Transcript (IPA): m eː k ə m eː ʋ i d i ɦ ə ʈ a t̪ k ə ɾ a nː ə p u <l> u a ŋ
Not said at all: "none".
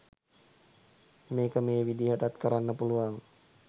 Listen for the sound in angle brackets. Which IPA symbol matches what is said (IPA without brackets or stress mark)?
l